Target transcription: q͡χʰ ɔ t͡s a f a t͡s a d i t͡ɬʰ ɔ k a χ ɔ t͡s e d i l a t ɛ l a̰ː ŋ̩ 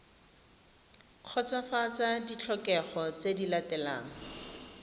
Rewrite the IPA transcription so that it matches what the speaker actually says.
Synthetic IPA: q͡χʰ ɔ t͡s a f a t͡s a d i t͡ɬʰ ɔ k ɛ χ ɔ t͡s e d i l a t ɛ l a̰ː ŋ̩

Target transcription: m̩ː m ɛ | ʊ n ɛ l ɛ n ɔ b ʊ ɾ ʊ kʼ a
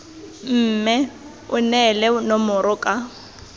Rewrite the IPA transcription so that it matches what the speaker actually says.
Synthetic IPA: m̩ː m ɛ | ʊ n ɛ l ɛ n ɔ m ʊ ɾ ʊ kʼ a

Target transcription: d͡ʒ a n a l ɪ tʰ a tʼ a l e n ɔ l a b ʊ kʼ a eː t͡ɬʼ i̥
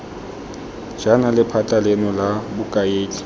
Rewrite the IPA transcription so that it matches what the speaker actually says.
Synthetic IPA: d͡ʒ a n a l ɪ pʰ a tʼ a l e n ɔ l a b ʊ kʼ a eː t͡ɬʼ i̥

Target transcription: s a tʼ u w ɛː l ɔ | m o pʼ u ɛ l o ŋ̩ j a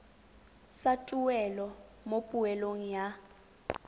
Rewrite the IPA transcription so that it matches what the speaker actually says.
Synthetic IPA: s a tʼ u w ɛ l ɔ | m o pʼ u ɛ l o ŋ̩ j a

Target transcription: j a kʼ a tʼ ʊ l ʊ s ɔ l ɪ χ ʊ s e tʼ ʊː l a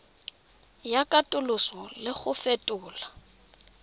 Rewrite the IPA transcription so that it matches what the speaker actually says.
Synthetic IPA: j a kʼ a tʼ ʊ l ʊ s ɔ l ɪ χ ʊ f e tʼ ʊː l a

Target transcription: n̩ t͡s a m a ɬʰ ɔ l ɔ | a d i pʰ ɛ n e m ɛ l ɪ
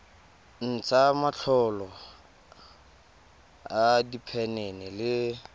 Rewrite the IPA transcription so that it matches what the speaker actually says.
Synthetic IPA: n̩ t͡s a m a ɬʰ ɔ l ɔ | a d i pʰ ɛ n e n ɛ l ɪ

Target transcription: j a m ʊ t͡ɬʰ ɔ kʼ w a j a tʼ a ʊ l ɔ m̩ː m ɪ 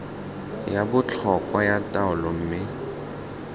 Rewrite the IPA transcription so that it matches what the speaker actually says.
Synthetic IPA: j a b ʊ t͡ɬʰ ɔ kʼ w a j a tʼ a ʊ l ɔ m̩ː m ɪ

